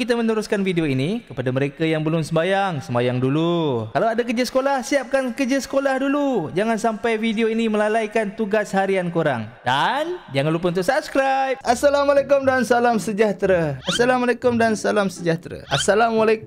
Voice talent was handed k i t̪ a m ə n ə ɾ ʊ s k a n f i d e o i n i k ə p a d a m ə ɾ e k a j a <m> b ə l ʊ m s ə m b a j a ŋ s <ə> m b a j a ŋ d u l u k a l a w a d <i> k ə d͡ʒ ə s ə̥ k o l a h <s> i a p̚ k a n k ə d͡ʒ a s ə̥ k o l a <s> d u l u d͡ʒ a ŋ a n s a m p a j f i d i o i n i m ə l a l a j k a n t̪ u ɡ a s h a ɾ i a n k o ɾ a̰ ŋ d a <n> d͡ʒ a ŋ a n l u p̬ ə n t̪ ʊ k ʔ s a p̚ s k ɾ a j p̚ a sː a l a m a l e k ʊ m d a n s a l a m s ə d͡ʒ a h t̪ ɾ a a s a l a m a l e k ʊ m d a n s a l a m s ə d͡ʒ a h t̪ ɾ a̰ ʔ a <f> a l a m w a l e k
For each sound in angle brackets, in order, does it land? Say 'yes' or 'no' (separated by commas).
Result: no, yes, no, yes, no, yes, no